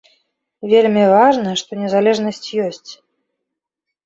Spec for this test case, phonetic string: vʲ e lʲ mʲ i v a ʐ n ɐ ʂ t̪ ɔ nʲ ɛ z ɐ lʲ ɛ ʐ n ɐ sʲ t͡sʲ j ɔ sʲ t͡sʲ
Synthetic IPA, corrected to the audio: vʲ e lʲ mʲ i v a ʐ n ɐ ʂ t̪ ɔ nʲ ɛ z a lʲ ɛ ʐ n ɐ sʲ t͡sʲ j ɔ sʲ t͡sʲ